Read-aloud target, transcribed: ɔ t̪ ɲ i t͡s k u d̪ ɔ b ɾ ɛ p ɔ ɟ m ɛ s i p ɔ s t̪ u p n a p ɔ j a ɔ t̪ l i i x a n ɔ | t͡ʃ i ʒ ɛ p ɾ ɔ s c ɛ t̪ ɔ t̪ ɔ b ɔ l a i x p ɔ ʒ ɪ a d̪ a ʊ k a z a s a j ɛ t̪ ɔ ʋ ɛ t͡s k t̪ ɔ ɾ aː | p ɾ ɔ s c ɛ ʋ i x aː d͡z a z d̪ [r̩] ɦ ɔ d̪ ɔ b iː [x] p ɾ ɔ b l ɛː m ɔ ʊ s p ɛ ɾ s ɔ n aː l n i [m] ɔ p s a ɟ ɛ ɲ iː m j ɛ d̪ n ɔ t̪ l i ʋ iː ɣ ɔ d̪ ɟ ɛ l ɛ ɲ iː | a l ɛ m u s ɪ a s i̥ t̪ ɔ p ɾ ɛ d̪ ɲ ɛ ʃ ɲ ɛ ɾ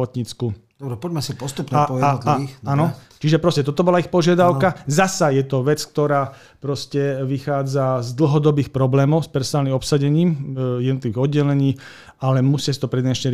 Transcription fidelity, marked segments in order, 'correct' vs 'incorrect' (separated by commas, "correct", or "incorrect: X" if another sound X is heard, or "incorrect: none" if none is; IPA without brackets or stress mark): incorrect: l̩, correct, correct